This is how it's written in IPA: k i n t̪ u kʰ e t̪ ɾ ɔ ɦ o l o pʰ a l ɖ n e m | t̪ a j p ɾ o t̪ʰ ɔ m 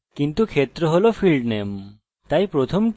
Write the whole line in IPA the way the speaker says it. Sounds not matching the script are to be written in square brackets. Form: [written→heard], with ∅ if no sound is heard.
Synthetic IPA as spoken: k i n t̪ u kʰ e t̪ ɾ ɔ ɦ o l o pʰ [a→i] l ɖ n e m | t̪ a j p ɾ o t̪ʰ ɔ m